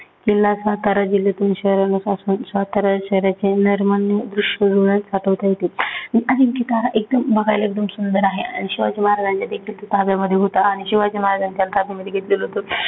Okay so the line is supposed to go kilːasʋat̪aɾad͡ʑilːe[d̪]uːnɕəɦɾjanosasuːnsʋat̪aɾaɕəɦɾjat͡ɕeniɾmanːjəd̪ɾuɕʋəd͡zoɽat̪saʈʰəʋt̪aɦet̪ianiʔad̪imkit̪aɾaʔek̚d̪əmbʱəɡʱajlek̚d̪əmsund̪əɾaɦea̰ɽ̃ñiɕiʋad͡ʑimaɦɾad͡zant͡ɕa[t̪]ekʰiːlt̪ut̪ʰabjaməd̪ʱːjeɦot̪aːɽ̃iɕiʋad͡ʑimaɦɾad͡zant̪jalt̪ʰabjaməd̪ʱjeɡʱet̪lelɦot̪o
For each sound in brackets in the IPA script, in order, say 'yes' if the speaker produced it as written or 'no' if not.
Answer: no, no

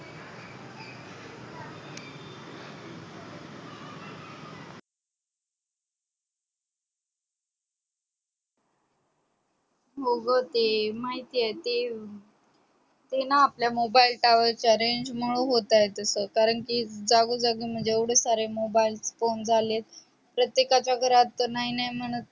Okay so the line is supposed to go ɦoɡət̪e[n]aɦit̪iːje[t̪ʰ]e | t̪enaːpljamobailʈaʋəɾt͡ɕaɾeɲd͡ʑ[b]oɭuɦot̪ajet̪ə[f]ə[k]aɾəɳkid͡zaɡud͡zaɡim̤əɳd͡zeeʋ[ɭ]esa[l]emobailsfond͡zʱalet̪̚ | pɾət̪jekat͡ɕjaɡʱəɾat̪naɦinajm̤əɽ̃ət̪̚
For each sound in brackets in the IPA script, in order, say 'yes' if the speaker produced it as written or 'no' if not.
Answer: no, no, no, no, yes, no, no

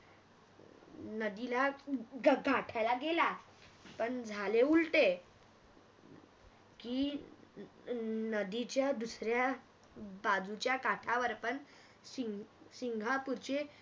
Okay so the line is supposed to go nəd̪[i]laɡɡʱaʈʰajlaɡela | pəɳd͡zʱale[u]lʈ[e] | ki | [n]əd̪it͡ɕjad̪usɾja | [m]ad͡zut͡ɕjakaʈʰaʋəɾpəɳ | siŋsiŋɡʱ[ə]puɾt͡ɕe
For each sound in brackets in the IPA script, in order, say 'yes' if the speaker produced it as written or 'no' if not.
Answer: yes, yes, yes, yes, no, no

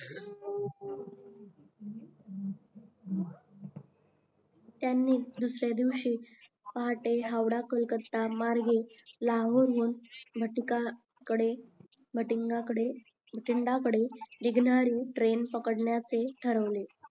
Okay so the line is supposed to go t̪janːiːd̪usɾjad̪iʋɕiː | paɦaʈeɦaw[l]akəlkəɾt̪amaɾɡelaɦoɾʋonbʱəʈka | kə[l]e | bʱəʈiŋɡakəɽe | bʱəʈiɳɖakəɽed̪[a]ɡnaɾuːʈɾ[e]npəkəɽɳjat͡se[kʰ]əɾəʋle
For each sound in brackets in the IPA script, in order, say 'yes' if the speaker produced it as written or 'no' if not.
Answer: no, no, no, yes, no

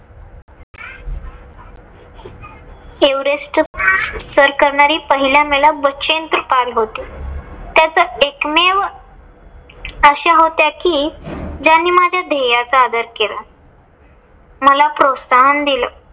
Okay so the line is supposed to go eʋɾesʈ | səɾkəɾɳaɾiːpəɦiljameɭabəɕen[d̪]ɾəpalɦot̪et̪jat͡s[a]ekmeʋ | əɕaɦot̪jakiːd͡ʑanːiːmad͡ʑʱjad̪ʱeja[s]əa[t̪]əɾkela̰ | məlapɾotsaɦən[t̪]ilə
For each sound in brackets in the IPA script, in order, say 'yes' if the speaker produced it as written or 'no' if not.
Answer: no, no, no, no, no

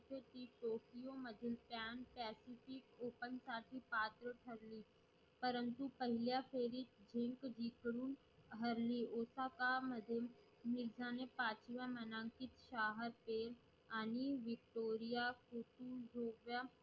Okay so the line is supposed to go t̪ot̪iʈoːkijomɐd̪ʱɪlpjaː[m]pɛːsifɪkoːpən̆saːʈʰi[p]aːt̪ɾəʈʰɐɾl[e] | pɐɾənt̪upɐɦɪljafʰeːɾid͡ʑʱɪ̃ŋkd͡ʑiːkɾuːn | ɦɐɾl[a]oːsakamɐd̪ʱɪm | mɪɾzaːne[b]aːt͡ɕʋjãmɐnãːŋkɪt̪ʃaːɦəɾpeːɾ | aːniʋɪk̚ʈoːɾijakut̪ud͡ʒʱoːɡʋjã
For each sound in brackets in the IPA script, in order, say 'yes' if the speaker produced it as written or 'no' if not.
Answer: no, yes, no, no, no

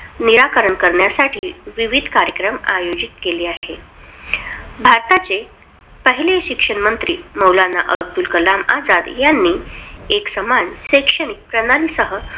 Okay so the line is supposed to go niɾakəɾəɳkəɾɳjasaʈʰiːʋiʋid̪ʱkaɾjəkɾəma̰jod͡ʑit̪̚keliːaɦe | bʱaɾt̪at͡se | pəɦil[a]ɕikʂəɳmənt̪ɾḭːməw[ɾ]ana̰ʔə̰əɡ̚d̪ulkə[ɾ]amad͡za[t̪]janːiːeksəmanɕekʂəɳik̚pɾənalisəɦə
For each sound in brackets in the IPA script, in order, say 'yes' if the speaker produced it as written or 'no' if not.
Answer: no, no, no, no

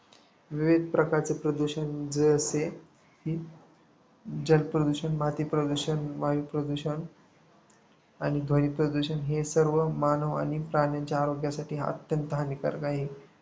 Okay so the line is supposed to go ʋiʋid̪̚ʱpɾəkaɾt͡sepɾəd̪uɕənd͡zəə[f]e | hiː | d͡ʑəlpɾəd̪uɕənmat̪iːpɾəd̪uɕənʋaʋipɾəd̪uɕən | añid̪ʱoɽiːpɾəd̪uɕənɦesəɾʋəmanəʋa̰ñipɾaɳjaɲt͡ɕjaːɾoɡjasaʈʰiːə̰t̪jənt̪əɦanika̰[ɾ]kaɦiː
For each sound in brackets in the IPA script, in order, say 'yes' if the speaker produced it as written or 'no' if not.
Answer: no, yes

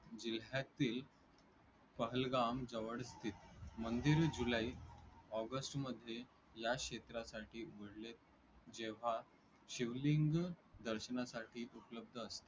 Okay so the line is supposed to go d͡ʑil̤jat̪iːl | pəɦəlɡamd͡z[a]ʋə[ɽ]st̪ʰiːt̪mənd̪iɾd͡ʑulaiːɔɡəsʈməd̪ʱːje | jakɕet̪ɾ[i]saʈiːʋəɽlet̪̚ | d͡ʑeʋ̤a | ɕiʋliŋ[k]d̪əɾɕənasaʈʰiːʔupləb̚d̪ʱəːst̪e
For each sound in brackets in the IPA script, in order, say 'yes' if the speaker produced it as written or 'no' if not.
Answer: no, yes, no, no

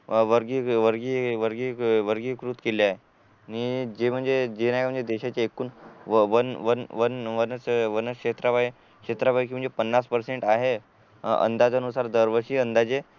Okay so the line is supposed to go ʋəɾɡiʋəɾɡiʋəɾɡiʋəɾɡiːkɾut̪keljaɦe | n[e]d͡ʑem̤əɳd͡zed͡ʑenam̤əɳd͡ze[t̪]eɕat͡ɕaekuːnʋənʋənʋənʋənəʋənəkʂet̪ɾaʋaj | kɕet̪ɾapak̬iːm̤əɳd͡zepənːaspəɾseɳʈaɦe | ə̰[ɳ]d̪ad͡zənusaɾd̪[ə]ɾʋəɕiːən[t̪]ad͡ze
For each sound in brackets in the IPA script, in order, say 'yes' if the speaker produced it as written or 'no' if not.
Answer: no, no, no, yes, no

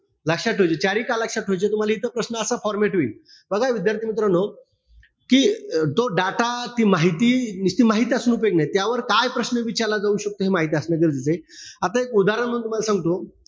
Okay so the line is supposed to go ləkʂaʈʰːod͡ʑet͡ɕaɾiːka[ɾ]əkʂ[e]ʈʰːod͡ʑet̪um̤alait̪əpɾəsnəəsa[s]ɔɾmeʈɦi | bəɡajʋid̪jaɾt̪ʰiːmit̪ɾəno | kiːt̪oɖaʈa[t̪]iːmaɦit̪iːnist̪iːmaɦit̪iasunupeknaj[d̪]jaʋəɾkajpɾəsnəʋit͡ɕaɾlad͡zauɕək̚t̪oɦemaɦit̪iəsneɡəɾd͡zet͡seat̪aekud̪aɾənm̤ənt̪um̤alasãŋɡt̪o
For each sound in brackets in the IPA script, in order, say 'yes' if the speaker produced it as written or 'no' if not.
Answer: no, no, no, yes, no

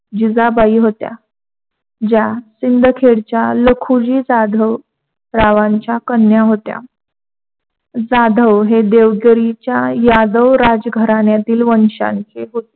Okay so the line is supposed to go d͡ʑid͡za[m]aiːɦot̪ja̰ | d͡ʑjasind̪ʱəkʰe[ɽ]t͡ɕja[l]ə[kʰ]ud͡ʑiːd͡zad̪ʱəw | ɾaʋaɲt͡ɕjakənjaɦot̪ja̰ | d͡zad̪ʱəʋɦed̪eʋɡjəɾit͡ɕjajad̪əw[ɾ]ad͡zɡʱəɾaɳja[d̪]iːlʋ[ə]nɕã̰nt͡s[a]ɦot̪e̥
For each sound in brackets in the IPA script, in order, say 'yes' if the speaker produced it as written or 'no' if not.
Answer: no, yes, yes, yes, yes, no, yes, no

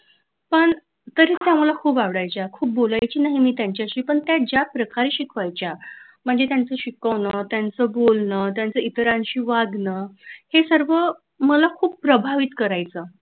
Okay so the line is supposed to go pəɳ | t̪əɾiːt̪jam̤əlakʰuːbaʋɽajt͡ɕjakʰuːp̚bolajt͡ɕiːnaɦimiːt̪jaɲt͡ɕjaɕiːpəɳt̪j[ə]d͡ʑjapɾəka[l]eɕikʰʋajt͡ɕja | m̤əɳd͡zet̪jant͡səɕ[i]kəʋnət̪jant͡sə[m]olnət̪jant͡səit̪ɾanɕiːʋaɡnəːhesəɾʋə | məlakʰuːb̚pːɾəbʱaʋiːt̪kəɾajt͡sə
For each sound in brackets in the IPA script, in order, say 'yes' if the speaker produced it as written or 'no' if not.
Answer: no, no, yes, no

